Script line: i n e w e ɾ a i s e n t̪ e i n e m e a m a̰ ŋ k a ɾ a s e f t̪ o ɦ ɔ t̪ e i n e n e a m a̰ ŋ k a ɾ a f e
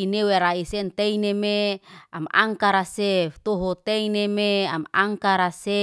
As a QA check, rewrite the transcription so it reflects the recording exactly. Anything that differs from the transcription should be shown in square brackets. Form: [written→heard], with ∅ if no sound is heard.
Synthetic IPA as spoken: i n e w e ɾ a i s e n t̪ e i n e m e a m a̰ ŋ k a ɾ a s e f t̪ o ɦ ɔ t̪ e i n e [n→m] e a m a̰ ŋ k a ɾ a [f→s] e